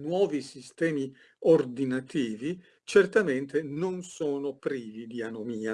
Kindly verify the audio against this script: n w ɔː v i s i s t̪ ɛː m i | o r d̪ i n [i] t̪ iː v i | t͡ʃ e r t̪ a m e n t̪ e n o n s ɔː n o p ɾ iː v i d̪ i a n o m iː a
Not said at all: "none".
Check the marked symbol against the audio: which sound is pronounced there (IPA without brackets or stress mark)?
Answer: a